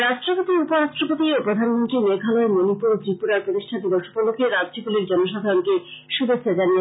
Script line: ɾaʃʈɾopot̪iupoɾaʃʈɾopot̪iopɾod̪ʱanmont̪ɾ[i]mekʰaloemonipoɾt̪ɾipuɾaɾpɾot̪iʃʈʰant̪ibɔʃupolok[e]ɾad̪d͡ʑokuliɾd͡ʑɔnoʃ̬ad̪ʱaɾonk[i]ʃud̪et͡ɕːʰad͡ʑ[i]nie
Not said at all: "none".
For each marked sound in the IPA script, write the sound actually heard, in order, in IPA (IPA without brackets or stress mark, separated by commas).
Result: i, e, e, a